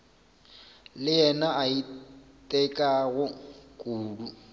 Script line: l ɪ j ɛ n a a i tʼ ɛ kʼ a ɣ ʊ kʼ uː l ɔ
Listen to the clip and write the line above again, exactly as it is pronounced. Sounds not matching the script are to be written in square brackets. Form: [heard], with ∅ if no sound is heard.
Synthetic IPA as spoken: l ɪ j ɛ n a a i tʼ ɛ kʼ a ɣ ʊ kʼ uː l [u]